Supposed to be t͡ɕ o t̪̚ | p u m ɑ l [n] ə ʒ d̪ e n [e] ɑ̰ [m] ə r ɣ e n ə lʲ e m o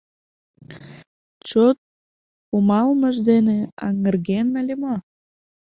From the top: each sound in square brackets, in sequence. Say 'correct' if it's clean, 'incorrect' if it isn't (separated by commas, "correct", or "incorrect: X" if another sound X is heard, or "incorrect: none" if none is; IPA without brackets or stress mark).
incorrect: m, correct, incorrect: ŋ